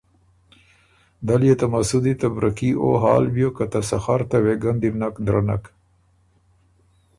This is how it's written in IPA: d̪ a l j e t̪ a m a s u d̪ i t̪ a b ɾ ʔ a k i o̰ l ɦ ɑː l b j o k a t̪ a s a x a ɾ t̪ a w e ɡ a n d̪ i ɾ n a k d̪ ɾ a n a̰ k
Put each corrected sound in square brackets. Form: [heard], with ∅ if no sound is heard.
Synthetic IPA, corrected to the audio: d̪ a l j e t̪ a m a s u d̪ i t̪ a b ɾ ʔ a k i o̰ [∅] ɦ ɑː l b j o k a t̪ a s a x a ɾ t̪ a w e ɡ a n d̪ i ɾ n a k d̪ ɾ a n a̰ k